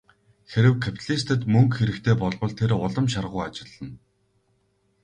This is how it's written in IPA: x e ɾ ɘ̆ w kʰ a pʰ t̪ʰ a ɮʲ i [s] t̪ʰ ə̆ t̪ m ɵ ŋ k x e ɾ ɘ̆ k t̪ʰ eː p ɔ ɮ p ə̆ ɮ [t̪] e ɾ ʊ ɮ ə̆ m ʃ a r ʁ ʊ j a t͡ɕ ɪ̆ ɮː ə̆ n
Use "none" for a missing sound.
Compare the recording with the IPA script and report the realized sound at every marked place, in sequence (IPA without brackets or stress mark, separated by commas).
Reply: s, t̪ʰ